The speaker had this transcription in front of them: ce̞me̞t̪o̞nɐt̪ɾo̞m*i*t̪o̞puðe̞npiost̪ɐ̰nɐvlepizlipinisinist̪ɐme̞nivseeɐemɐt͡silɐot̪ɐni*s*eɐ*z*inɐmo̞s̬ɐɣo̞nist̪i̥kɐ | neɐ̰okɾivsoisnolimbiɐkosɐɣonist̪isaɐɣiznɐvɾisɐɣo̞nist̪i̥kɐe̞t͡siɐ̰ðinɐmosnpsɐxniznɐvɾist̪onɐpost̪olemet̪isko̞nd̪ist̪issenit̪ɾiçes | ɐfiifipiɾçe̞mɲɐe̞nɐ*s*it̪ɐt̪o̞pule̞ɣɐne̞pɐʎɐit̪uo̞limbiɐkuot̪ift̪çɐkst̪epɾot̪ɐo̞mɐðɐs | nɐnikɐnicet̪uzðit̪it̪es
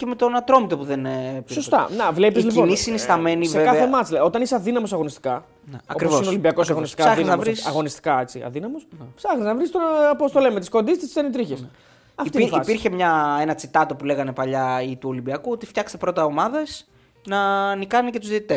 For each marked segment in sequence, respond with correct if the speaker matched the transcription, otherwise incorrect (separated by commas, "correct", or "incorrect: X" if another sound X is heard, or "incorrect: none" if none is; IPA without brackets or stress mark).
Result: correct, correct, incorrect: ð, incorrect: t͡s